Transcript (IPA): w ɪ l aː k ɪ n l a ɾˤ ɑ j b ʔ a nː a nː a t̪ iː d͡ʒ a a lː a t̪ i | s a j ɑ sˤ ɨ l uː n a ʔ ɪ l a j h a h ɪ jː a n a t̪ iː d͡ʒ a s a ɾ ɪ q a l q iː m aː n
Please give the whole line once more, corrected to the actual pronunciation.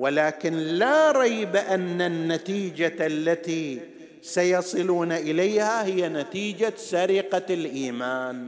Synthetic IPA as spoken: w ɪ l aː k ɪ n l a ɾˤ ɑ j b ʔ a nː a nː a t̪ iː d͡ʒ a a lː a t̪ i | s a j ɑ sˤ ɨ l uː n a ʔ ɪ l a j h a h ɪ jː a n a t̪ iː d͡ʒ a s a ɾ ɪ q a l ʔ iː m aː n